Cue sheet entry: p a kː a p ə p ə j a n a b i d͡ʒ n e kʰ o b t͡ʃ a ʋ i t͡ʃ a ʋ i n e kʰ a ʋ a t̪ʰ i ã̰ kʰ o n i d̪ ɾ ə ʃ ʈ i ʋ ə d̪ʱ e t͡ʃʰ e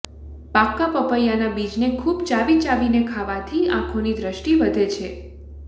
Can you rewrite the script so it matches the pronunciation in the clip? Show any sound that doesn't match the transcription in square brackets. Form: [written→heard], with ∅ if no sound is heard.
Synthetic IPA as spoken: p a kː a p ə p ə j a n a b i d͡ʒ n e kʰ [o→u] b t͡ʃ a ʋ i t͡ʃ a ʋ i n e kʰ a ʋ a t̪ʰ i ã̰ kʰ o n i d̪ ɾ ə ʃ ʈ i ʋ ə d̪ʱ e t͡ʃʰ e